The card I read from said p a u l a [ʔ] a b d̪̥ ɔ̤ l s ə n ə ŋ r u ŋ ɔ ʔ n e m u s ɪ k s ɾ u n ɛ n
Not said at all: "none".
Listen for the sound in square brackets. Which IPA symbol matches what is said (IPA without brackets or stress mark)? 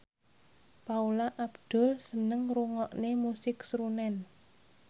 ʔ